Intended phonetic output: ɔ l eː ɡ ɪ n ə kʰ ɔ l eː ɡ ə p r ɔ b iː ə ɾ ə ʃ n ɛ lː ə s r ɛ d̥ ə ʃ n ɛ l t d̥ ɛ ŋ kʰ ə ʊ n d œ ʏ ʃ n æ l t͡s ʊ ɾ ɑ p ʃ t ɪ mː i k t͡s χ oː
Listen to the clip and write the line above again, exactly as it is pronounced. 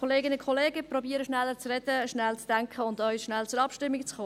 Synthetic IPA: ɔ l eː ɡ ɪ n ə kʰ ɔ l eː ɡ ə p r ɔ b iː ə ɾ ə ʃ n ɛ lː ə t͡s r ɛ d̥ ə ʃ n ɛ l t͡s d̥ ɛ ŋ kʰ ə ʊ n d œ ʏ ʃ n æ l t͡s ʊ ɾ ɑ p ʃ t ɪ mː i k t͡s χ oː